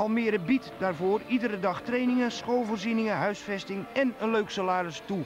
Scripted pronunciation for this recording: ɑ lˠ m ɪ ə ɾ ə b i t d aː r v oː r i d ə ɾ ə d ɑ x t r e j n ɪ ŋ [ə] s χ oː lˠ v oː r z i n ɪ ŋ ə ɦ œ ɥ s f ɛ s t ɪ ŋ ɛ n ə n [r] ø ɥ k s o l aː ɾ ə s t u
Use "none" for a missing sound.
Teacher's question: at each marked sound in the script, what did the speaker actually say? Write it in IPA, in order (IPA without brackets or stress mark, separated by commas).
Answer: ə, l